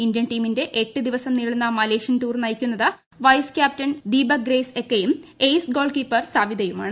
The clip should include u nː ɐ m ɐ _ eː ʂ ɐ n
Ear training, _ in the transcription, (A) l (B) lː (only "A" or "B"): A